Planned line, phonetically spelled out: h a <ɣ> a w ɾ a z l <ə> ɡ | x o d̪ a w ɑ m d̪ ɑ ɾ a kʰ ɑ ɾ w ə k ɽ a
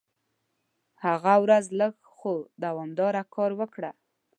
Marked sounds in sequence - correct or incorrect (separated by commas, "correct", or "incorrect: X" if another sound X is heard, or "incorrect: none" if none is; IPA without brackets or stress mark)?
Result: correct, correct